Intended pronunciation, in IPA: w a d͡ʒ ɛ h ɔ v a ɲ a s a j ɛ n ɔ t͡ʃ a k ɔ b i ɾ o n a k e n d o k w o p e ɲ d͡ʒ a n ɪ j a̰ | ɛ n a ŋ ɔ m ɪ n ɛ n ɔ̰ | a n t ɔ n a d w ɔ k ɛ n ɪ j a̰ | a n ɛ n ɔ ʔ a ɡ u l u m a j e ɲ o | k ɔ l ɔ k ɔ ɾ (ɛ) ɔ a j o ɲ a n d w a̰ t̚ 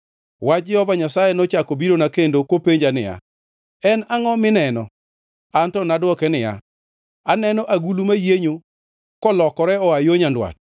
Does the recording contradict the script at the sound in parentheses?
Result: no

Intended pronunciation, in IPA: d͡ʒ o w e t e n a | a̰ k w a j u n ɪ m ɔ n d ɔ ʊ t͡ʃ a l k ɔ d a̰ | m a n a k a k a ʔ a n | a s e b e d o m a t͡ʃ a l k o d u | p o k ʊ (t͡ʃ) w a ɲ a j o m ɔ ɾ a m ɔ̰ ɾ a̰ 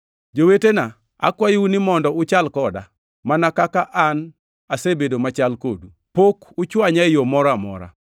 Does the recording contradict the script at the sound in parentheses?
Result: no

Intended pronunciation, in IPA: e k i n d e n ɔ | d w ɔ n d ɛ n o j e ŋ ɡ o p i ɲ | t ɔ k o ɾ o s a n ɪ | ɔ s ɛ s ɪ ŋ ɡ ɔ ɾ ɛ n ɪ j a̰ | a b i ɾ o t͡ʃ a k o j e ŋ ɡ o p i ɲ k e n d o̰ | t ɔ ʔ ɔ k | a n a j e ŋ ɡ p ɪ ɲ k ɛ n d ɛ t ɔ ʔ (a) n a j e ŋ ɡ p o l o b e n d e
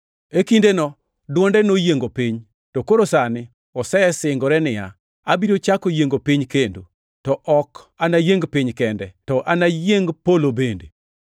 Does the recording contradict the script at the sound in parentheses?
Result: no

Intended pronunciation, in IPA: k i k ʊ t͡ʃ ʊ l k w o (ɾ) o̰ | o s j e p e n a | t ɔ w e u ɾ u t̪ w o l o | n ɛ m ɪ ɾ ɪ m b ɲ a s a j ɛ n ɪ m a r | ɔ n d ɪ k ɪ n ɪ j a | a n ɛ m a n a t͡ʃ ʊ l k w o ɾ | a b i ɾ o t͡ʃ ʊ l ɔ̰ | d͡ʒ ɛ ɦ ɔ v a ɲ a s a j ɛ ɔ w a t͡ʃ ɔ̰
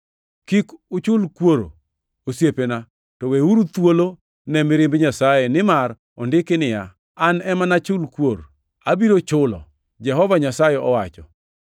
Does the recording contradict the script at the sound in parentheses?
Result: no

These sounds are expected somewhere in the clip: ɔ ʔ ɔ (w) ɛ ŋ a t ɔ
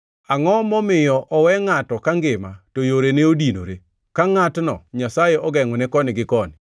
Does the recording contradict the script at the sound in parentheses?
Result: no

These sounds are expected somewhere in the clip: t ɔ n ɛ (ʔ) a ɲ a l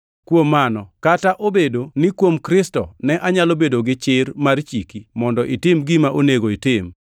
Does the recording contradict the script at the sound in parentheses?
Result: no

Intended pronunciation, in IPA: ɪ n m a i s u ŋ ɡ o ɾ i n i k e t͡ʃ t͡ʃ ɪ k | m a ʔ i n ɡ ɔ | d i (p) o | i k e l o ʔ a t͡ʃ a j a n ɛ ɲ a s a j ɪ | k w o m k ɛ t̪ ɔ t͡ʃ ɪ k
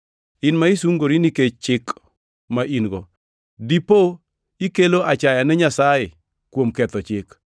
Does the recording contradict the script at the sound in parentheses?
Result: no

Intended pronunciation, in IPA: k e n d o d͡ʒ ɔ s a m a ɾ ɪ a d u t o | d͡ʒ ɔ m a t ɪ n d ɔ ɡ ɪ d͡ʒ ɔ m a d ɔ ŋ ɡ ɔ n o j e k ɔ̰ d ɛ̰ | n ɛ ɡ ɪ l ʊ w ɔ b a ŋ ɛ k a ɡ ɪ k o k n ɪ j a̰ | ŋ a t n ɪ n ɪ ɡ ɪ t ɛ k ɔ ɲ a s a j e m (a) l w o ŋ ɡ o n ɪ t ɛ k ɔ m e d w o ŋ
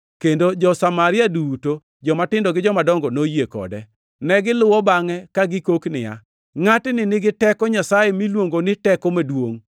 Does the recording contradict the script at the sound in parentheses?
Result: yes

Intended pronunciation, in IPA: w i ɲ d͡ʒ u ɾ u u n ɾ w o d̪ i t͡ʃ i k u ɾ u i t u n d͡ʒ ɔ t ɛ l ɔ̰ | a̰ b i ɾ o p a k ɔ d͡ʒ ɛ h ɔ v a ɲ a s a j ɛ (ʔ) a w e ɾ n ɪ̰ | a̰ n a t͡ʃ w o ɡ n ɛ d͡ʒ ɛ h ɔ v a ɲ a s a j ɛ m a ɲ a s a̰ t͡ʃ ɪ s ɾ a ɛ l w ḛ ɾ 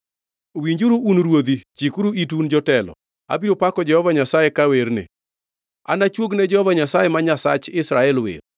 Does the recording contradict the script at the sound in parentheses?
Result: yes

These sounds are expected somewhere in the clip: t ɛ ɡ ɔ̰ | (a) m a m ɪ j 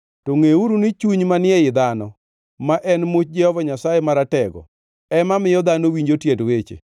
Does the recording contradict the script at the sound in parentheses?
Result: yes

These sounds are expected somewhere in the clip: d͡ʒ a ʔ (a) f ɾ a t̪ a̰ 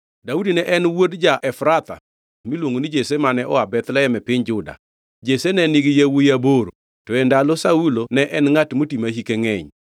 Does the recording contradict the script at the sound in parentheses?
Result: yes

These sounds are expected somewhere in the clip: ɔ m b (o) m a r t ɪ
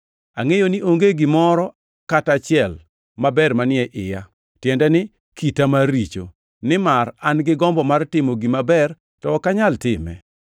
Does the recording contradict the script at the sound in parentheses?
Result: yes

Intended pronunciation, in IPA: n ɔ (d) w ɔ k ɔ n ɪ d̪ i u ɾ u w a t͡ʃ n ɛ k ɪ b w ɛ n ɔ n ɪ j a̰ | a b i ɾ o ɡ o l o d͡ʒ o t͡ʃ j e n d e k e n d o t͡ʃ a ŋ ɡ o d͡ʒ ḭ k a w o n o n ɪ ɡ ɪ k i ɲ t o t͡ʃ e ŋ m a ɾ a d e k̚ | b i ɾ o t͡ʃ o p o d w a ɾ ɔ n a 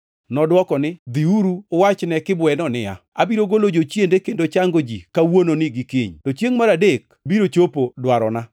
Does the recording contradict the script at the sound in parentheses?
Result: no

